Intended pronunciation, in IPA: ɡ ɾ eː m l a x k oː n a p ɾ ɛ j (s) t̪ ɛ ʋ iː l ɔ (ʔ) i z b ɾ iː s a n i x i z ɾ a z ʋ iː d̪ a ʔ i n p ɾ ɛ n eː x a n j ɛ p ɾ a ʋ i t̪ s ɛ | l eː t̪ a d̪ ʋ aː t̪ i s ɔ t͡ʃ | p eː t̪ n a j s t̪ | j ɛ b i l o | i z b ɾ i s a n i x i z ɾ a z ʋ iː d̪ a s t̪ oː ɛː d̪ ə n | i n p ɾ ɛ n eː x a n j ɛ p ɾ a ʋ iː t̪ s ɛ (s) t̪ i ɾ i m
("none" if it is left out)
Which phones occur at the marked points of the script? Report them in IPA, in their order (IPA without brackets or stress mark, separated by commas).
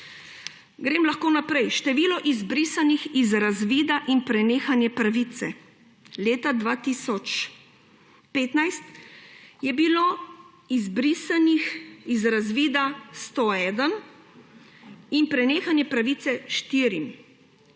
ʃ, ʔ, ʃ